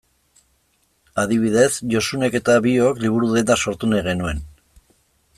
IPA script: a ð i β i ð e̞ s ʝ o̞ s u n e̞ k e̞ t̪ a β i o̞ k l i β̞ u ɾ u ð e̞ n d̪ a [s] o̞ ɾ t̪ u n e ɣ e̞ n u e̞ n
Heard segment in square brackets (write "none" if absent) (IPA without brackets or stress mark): s